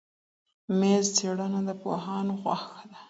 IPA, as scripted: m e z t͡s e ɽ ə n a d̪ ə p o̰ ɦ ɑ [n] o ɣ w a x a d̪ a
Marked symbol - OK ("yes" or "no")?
yes